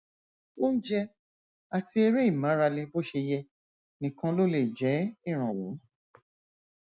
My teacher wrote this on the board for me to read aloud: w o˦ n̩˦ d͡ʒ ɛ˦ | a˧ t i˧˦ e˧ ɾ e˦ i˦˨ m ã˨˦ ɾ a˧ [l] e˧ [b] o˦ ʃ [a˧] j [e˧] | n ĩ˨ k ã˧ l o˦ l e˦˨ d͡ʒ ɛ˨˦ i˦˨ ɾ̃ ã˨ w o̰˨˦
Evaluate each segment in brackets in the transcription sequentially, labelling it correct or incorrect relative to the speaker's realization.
correct, correct, incorrect: e˧, incorrect: ɛ˧

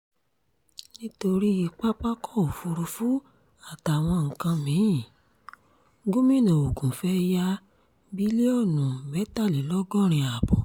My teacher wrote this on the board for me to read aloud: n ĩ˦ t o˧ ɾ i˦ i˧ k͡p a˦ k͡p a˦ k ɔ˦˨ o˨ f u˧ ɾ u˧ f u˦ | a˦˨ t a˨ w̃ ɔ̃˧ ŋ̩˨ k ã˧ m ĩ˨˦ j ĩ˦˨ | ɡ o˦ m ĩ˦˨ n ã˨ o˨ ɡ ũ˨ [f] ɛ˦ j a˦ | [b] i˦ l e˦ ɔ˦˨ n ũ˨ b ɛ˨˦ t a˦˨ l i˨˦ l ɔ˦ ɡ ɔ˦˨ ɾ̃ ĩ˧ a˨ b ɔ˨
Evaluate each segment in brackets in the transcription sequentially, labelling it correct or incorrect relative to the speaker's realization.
correct, correct

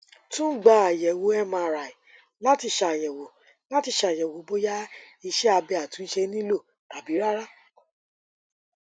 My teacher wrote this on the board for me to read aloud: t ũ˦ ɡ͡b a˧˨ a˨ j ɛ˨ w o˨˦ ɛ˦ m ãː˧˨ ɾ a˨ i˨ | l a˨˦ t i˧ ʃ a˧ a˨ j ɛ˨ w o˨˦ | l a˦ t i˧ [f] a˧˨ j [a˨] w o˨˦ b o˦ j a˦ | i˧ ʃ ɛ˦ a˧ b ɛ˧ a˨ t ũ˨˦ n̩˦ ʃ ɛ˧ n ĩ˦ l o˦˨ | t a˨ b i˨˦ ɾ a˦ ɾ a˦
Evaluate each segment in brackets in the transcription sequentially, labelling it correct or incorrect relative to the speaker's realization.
incorrect: ʃ, incorrect: ɛ˨

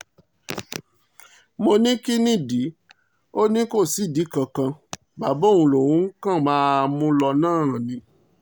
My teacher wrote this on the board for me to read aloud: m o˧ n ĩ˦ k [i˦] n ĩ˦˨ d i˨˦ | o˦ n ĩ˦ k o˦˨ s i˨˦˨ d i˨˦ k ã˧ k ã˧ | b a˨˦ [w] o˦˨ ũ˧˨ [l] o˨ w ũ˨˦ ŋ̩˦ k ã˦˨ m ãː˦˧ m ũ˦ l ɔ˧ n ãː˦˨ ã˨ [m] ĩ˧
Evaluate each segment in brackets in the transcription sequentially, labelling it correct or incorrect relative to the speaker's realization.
correct, incorrect: b, correct, incorrect: n

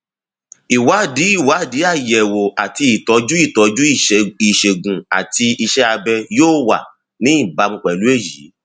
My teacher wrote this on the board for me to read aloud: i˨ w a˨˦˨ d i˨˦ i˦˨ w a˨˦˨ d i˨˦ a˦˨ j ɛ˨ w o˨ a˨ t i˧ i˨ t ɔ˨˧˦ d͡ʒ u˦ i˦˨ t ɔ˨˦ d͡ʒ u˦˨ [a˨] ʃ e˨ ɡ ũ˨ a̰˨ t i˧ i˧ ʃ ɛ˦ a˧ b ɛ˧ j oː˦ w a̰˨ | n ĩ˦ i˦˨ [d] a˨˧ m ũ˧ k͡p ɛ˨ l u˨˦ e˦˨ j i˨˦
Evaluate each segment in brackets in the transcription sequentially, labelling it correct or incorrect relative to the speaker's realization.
incorrect: i˨, incorrect: b

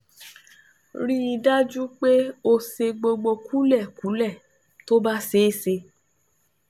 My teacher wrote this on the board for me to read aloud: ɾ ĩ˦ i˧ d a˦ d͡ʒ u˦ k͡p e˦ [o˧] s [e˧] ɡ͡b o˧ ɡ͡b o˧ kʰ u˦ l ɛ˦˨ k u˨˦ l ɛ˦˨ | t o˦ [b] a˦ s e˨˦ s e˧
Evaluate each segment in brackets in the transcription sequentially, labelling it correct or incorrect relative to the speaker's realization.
correct, correct, correct

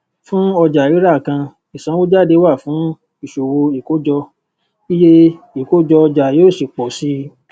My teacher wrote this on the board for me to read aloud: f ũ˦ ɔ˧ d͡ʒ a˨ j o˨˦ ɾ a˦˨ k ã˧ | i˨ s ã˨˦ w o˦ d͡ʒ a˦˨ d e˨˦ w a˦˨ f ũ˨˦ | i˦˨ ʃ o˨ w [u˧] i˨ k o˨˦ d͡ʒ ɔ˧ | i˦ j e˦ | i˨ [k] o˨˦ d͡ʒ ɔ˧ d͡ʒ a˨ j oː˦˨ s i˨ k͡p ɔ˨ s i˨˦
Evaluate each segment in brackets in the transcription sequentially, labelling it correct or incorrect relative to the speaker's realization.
incorrect: o˧, correct

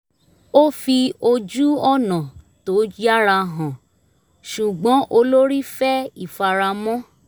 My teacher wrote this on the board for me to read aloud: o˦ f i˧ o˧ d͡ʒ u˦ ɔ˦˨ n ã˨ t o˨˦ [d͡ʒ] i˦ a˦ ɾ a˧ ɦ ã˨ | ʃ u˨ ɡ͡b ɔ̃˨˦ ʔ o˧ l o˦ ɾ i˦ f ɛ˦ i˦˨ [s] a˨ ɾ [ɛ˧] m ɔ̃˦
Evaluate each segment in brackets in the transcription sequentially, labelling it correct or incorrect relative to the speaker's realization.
correct, incorrect: f, incorrect: a˧

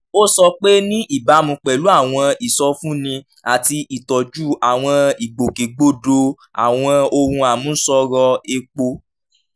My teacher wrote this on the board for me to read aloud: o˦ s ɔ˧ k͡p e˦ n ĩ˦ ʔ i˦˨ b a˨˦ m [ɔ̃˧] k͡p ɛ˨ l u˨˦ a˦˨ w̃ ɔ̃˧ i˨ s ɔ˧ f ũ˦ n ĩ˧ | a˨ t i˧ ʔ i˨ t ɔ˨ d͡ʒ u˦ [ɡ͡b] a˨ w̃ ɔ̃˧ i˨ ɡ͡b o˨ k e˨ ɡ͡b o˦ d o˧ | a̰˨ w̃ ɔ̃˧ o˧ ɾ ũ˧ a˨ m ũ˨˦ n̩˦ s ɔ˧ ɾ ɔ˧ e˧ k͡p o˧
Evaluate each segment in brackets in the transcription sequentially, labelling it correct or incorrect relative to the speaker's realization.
incorrect: ũ˧, incorrect: none

